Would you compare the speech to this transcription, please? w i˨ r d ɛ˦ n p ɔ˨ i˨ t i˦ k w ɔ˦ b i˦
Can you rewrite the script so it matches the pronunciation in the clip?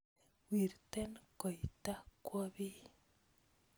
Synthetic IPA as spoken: w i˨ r t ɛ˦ n k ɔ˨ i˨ t a˦ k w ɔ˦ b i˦